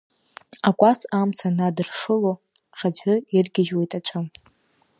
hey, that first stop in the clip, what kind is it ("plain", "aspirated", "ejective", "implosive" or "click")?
ejective